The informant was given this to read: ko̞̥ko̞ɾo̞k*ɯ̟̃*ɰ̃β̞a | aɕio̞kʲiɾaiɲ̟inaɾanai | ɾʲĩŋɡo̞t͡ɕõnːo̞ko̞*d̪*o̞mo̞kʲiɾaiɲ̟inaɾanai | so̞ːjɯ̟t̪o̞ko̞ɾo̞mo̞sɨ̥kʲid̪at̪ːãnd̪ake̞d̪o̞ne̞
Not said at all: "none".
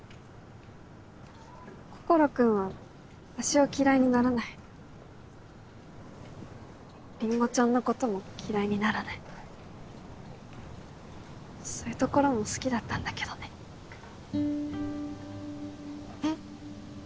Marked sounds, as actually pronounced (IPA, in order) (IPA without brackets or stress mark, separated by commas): ɯ̟̃, t̪